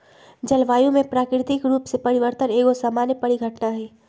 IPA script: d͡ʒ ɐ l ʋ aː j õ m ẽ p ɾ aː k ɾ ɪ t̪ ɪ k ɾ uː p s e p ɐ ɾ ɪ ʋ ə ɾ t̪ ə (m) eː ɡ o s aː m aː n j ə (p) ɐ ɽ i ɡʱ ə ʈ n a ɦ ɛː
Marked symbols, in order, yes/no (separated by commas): no, yes